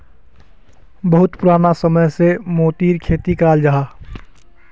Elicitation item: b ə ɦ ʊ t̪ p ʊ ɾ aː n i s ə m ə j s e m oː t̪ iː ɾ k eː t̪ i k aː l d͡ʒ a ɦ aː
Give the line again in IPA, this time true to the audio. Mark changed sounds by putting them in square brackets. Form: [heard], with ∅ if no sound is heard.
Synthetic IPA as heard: b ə ɦ ʊ t̪ p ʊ ɾ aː n [a] s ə m ə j s e m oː t̪ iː ɾ [kʰ] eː t̪ i k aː l d͡ʒ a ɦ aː